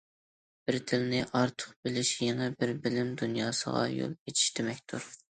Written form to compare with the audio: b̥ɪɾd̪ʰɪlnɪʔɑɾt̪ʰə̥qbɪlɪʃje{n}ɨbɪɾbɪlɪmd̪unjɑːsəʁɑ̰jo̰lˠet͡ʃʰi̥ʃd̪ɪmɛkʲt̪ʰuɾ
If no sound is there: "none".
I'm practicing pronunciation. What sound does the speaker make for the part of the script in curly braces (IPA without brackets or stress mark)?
ŋ